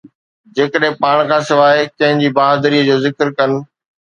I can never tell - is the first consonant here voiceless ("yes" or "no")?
no